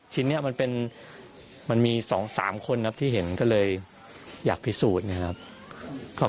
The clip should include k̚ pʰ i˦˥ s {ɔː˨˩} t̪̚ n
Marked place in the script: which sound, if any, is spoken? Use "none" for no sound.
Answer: uː˨˩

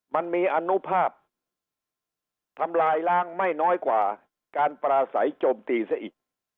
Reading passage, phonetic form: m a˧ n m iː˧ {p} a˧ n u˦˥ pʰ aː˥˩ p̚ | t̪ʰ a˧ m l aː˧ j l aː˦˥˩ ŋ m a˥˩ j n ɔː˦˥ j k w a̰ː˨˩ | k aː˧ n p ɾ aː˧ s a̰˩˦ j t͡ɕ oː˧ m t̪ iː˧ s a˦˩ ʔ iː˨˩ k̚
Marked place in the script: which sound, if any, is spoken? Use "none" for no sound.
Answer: ʔ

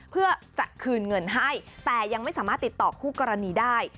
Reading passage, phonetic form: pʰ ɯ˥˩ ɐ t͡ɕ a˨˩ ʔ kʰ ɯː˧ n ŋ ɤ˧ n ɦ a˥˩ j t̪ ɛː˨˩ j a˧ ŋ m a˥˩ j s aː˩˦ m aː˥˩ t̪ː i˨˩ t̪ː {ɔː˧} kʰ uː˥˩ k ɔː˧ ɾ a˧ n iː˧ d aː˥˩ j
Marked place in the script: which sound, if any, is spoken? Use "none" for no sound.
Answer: ɔː˨˩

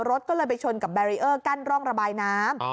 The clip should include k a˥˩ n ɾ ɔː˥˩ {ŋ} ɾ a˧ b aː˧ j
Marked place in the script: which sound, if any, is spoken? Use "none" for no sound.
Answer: ŋ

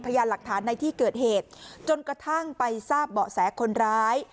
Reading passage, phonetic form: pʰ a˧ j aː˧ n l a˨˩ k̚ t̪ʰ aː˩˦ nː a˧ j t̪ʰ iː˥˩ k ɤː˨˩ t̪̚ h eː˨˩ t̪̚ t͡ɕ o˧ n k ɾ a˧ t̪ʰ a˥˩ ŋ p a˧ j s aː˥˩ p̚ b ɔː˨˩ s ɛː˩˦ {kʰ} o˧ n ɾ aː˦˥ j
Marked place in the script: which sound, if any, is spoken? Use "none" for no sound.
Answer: kʰ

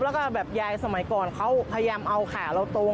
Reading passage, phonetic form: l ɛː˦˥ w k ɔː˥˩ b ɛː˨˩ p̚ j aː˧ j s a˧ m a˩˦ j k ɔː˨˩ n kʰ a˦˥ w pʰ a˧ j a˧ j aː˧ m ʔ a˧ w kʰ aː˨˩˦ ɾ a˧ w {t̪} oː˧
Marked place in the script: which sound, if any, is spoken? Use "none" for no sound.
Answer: t̪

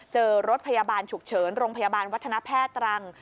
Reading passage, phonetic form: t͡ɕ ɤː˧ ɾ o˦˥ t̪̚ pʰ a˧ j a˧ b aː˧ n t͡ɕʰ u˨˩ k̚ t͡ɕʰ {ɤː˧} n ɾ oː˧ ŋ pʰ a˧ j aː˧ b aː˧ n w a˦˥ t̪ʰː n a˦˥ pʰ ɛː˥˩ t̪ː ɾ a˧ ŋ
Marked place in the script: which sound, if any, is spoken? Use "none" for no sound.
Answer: ɤː˩˦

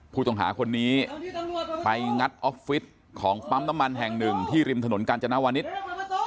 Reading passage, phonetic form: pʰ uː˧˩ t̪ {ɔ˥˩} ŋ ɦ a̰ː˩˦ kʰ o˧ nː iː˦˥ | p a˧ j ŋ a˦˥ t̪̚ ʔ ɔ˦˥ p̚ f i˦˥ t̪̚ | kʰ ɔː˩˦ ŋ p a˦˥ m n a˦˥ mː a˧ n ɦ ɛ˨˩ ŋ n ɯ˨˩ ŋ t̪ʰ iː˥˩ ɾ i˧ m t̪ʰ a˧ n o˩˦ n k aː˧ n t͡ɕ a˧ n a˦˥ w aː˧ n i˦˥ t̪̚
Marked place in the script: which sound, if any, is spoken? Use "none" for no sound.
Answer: ɔ˨˩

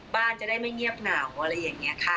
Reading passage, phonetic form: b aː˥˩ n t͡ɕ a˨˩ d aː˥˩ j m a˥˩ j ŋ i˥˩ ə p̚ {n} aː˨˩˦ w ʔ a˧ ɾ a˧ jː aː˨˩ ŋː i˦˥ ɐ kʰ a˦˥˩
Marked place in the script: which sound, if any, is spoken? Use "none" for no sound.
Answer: n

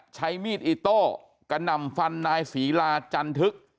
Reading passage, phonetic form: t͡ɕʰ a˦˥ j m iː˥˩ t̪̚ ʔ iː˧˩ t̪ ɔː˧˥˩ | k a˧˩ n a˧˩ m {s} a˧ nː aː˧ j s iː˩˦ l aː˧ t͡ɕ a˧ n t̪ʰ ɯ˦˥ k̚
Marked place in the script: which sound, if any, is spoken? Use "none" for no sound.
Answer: f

